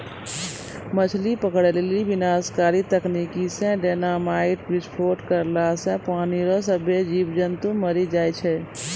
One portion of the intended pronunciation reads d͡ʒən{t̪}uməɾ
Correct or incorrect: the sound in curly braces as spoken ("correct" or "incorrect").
correct